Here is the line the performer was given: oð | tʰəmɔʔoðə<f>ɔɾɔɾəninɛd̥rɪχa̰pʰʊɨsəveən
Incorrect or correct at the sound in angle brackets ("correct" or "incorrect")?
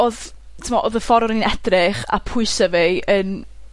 correct